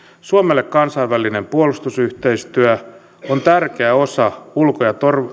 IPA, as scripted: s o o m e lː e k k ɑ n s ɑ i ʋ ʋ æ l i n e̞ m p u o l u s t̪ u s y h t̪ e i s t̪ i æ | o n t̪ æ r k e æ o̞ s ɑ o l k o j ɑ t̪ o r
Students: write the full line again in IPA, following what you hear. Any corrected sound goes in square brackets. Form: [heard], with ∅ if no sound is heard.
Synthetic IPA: s [u] o m e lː e k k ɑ n s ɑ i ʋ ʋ æ l i n e̞ m p u o l u s t̪ u s y h t̪ e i s t̪ [y] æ | o n t̪ æ r k e æ o̞ s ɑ [u] l k o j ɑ t̪ o r